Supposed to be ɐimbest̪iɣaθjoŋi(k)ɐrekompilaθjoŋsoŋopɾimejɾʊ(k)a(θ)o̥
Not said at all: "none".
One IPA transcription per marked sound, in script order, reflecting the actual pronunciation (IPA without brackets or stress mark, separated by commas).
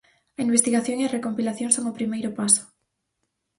none, p, s